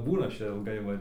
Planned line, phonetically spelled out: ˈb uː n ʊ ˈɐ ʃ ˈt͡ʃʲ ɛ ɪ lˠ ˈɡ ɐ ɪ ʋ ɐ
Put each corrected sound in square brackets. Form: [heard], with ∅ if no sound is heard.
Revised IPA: ˈb uː n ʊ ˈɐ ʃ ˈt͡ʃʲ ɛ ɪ lˠ ˈɡ ɐ ɪ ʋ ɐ